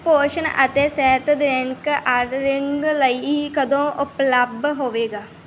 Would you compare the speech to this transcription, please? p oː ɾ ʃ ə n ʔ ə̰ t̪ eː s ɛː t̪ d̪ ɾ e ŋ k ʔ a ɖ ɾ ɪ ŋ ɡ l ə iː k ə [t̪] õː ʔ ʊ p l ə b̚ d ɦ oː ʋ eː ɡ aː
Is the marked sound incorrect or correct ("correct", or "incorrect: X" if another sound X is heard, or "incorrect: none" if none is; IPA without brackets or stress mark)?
incorrect: d̪